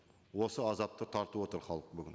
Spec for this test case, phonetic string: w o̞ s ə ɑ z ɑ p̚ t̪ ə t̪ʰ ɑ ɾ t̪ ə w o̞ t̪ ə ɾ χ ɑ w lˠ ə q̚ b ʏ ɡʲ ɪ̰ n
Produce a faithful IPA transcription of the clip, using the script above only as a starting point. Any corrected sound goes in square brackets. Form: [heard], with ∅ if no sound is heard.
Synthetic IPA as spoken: w o̞ s ə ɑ z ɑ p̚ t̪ ə t̪ʰ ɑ ɾ t̪ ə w o̞ t̪ ə ɾ χ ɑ [∅] lˠ ə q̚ b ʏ ɡʲ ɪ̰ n